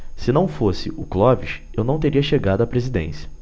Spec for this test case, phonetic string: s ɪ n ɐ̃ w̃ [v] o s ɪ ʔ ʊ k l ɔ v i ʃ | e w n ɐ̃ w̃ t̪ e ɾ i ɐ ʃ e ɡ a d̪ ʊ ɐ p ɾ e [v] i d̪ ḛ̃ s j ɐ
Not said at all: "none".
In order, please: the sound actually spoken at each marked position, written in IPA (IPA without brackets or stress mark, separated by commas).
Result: f, z